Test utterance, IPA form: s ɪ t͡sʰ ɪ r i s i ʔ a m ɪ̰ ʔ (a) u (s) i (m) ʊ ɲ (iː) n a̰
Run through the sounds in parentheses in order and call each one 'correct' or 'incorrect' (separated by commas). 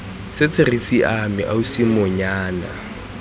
correct, correct, correct, incorrect